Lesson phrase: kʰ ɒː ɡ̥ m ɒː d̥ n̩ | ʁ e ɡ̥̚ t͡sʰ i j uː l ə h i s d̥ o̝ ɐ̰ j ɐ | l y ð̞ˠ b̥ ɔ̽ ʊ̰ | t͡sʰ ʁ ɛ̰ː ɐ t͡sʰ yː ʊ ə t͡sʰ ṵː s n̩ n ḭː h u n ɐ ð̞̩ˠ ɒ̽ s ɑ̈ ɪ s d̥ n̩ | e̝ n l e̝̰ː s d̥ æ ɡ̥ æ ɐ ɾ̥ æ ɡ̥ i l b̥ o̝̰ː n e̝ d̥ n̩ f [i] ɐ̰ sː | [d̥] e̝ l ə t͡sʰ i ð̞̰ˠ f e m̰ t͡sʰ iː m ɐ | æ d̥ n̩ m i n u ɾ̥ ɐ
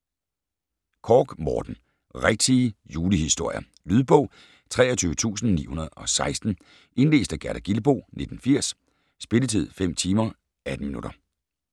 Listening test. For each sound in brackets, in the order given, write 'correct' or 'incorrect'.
correct, incorrect: b̥

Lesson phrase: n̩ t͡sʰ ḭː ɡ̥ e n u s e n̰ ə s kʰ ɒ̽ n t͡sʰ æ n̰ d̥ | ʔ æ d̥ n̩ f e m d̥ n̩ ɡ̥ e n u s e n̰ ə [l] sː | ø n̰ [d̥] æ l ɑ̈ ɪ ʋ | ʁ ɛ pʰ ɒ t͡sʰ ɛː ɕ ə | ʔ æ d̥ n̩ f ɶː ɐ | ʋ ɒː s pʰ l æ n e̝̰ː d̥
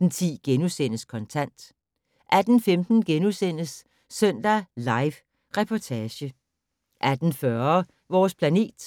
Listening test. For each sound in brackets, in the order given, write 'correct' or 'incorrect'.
incorrect: none, correct

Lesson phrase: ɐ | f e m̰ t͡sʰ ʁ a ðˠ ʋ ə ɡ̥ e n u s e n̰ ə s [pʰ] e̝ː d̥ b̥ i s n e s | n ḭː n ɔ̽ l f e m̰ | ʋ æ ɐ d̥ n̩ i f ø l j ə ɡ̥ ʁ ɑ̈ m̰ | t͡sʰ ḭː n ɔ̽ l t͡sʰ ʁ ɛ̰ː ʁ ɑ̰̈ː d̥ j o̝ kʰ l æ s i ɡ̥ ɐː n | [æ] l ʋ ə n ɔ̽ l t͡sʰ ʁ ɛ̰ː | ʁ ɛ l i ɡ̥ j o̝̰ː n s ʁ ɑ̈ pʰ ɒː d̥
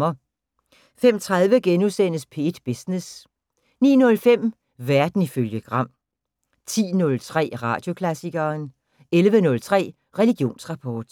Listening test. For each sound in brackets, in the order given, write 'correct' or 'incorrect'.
correct, incorrect: e

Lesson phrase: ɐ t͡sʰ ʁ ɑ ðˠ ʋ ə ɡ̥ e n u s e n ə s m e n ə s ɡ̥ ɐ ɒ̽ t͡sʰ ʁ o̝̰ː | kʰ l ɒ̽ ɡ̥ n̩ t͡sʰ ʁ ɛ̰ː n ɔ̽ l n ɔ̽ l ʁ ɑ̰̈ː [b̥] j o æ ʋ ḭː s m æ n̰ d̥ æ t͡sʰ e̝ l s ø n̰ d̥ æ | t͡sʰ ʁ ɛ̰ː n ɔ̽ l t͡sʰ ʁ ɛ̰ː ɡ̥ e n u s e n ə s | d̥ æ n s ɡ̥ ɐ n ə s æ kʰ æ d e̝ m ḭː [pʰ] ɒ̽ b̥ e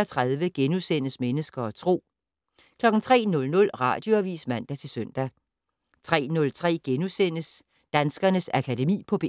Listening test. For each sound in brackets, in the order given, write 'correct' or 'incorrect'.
incorrect: d̥, correct

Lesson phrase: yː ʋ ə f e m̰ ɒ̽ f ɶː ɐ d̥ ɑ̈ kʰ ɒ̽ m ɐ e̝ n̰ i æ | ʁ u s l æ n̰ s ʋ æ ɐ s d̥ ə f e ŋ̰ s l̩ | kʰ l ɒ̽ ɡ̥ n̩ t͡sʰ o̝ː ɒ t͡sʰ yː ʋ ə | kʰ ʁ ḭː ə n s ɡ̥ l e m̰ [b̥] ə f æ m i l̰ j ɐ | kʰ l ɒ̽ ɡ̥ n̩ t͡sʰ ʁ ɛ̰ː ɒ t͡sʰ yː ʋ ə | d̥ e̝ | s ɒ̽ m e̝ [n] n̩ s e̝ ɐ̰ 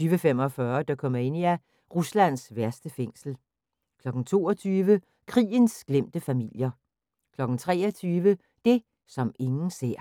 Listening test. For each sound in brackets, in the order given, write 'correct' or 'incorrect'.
incorrect: d̥, incorrect: ŋ

